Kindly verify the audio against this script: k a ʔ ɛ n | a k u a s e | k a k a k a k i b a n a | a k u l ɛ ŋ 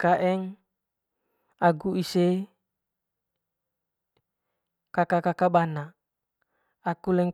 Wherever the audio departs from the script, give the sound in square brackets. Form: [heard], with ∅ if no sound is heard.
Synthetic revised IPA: k a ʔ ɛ [ŋ] | a [ɡ] u [i] s e | k a k a k a k [a] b a n a | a k u l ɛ ŋ